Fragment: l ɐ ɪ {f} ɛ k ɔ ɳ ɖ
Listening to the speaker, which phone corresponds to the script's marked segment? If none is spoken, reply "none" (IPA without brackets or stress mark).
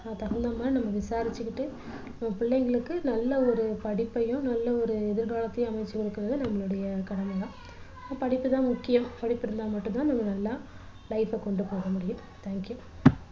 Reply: f